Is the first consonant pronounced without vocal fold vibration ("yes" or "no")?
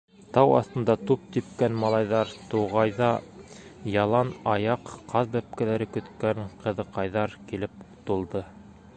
yes